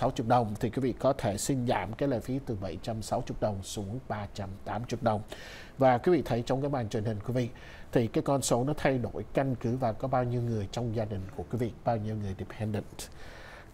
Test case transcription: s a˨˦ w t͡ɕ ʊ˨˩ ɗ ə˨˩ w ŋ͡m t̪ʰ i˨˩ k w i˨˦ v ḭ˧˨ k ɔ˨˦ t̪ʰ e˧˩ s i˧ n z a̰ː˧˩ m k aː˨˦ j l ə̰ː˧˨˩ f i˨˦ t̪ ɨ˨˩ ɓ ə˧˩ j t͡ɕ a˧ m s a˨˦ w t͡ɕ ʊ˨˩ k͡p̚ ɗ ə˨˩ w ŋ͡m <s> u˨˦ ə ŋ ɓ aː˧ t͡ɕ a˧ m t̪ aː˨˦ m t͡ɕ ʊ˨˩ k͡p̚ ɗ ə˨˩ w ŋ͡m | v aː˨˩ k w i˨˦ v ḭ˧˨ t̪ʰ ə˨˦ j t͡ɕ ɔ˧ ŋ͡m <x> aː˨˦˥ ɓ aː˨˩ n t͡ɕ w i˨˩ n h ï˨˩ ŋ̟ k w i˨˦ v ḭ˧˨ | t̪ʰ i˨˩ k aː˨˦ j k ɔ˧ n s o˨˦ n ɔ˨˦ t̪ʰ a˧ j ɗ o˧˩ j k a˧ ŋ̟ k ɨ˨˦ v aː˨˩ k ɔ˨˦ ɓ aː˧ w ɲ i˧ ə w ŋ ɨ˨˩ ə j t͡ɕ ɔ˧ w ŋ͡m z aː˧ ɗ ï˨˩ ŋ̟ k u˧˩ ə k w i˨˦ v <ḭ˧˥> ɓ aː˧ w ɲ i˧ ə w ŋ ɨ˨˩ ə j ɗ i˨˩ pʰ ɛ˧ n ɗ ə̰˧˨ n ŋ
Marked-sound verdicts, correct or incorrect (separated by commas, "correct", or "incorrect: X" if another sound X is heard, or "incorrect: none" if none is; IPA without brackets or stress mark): correct, incorrect: k, incorrect: ḭ˧˨